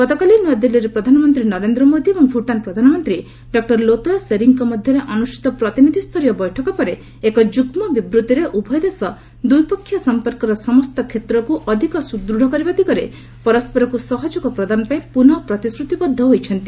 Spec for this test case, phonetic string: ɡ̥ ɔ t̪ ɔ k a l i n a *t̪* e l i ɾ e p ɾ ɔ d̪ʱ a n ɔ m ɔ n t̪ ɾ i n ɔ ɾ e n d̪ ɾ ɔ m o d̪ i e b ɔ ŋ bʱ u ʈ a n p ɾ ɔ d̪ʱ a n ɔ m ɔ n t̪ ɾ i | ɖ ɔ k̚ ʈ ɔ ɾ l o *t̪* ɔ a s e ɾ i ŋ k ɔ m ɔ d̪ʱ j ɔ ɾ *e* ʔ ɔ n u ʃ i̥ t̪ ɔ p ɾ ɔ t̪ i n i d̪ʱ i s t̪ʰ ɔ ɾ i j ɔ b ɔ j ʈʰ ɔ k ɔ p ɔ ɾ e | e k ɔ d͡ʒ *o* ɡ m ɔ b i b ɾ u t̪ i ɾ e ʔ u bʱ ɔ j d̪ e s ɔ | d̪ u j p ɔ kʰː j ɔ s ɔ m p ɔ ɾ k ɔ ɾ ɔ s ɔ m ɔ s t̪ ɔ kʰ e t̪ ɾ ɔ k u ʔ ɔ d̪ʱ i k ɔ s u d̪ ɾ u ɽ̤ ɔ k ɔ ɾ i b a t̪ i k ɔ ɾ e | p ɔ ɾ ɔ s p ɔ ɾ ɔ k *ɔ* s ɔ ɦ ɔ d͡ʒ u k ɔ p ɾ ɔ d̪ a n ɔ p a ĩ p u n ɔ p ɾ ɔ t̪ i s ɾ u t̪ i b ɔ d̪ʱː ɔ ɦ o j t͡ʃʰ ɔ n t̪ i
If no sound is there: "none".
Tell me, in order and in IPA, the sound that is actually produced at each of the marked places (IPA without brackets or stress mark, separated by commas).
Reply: d̪, t̪, e, u, u